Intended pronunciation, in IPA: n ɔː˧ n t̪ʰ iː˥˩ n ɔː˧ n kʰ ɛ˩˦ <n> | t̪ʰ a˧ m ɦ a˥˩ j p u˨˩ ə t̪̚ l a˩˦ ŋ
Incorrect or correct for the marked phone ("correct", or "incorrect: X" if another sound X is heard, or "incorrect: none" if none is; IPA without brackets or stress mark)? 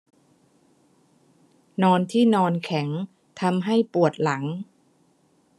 incorrect: ŋ